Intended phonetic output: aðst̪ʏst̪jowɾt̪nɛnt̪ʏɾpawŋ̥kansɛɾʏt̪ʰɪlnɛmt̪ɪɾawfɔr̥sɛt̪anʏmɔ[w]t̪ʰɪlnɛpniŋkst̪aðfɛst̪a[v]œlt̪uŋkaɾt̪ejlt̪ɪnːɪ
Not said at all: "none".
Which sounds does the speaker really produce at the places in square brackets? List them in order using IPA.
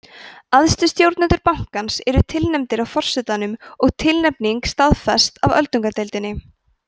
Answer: ɣ, v

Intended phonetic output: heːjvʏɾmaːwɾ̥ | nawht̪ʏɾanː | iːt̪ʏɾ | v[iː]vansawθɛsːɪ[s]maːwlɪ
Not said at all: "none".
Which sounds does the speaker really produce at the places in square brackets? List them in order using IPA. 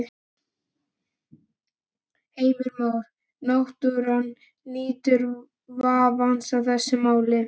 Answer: aː, none

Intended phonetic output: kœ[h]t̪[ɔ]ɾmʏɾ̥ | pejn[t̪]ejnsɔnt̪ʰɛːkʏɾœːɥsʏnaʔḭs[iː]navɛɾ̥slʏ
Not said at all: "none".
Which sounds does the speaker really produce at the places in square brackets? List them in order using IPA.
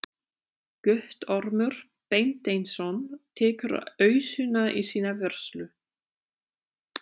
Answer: h, ɔ, t̪, iː

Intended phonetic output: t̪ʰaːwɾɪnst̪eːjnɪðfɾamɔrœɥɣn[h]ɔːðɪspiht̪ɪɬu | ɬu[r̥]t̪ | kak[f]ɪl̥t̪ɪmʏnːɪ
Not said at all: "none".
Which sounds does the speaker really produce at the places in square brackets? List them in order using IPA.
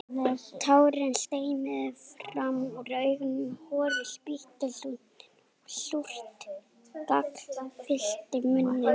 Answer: h, r̥, f

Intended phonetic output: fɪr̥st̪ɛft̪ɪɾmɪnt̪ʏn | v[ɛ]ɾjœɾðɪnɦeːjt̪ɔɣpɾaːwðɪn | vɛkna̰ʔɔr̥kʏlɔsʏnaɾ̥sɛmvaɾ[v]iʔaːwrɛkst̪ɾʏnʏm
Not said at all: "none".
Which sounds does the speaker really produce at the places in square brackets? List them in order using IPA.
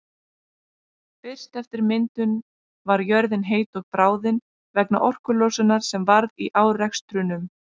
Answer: a, ð

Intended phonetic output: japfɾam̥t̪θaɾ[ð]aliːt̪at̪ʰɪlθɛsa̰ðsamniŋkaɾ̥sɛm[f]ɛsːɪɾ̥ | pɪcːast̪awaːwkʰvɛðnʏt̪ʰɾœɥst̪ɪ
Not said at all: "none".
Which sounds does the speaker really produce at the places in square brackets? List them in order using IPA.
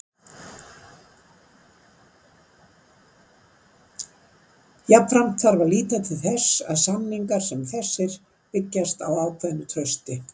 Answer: v, θ

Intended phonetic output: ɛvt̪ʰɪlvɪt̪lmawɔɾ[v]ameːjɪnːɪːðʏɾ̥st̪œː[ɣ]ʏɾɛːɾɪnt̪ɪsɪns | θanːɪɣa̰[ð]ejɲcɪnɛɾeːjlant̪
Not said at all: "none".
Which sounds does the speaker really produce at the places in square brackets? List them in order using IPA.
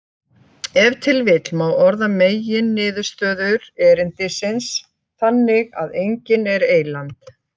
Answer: ð, ð, ð

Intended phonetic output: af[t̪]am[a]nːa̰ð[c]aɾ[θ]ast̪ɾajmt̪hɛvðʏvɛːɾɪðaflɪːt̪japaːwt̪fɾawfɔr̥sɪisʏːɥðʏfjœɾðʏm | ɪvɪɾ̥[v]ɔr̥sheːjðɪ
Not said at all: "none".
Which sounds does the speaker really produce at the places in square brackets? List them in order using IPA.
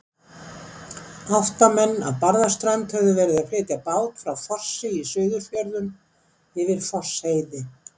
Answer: t̪, ɛ, p, ð, f

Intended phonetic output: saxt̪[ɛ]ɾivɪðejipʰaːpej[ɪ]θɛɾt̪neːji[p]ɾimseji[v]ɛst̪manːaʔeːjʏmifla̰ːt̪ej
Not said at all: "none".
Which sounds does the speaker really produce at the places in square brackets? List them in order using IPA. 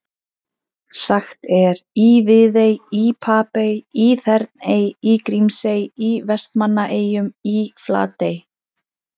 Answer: ɛ, i, k, v

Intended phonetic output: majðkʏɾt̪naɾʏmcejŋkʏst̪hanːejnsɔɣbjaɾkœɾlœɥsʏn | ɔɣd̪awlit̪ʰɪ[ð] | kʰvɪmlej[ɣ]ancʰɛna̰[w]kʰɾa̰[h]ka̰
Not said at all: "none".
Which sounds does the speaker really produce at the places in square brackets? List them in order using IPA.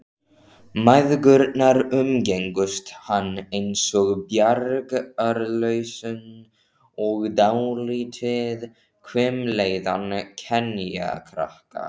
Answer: ð, ð, none, h

